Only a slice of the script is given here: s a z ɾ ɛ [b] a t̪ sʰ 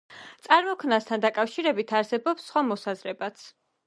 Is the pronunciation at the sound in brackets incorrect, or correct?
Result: correct